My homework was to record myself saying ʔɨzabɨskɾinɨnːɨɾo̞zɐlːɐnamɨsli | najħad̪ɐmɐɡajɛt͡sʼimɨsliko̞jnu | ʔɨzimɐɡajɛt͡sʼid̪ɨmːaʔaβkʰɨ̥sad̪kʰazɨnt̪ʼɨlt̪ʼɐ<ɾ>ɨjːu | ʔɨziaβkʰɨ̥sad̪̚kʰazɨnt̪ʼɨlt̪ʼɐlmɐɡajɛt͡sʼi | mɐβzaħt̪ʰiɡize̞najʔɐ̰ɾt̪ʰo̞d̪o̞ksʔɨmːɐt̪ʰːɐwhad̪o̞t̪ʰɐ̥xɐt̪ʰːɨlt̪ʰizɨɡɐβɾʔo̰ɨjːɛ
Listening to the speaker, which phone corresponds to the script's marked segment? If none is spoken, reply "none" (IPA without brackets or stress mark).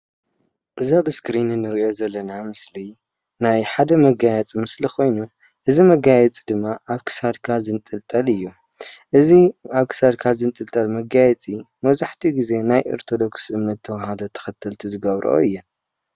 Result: l